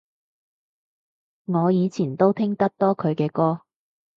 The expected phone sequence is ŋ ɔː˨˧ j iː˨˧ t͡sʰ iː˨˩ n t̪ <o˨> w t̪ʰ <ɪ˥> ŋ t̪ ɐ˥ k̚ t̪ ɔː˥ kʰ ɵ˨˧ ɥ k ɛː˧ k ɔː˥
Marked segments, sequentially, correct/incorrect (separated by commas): incorrect, correct